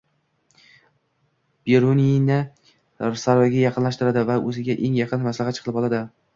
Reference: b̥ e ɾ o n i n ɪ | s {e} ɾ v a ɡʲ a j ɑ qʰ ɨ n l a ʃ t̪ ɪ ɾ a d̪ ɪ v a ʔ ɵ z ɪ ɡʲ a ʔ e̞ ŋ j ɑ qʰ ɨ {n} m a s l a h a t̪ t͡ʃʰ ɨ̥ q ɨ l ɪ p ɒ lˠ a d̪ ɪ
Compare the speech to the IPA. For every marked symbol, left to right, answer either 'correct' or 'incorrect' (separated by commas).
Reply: incorrect, correct